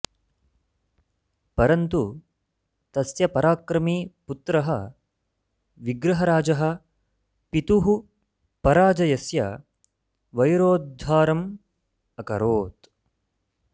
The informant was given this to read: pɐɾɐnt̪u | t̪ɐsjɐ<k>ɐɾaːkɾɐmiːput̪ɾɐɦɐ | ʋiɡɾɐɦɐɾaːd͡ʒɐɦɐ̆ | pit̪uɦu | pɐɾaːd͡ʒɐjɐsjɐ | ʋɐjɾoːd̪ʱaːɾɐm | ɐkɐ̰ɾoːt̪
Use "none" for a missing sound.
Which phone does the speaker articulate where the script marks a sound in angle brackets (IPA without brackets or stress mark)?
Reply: p